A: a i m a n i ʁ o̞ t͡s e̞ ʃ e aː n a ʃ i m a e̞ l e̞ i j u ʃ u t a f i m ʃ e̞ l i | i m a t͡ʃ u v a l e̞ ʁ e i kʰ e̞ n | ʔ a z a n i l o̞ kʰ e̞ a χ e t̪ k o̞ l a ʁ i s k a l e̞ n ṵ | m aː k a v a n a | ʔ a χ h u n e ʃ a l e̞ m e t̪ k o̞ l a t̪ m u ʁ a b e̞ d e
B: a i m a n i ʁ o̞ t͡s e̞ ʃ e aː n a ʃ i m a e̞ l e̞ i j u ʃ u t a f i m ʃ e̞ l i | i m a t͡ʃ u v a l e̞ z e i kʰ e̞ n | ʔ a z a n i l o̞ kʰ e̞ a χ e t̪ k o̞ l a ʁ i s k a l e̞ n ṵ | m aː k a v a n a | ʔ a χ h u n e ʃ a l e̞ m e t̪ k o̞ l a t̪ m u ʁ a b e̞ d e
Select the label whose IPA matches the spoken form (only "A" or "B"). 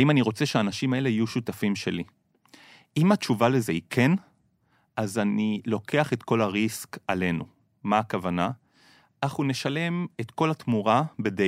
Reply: B